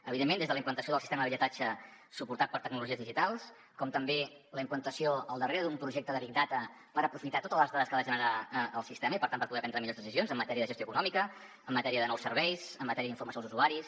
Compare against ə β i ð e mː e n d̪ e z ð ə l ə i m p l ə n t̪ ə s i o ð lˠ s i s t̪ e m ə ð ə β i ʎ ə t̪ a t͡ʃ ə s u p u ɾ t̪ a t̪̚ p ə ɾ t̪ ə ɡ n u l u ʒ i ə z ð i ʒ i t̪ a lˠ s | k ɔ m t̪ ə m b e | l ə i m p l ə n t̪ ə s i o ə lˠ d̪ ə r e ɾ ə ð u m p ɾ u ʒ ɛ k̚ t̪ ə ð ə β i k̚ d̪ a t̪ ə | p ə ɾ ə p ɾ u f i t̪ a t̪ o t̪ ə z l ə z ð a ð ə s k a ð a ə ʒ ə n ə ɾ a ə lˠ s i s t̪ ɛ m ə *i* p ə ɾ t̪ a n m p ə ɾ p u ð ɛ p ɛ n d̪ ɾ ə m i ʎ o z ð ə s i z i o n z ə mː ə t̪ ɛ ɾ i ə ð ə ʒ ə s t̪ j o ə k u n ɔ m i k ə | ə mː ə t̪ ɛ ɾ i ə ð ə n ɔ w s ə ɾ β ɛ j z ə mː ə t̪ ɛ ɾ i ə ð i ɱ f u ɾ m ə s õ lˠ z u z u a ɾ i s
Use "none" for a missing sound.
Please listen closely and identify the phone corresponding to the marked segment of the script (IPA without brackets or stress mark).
i